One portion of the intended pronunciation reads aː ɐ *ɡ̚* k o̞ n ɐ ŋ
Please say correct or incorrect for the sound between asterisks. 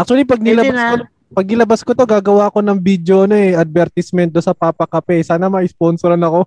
incorrect